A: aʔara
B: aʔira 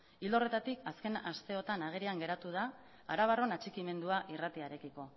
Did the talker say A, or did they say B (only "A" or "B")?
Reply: B